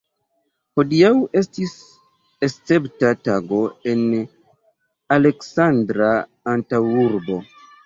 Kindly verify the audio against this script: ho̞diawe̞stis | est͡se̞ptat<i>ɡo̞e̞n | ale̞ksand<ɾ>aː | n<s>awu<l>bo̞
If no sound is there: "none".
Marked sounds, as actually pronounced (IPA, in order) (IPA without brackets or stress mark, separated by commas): a, ɾ, t, ɾ